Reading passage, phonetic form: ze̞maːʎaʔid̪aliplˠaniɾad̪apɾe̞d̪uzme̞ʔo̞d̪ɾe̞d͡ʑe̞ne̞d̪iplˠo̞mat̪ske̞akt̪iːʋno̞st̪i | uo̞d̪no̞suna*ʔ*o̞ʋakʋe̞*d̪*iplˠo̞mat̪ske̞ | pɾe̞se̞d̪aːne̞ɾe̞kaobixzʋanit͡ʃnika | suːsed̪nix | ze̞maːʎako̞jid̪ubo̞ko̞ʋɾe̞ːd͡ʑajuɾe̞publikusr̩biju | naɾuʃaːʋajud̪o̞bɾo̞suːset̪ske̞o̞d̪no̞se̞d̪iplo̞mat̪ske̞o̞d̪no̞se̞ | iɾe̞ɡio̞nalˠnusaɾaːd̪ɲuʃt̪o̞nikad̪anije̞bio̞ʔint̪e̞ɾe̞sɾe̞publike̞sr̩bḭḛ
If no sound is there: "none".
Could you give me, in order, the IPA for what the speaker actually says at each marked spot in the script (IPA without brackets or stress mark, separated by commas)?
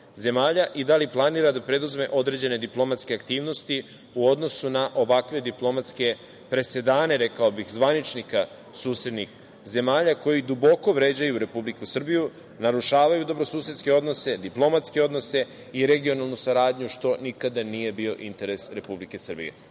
ʔ, d̪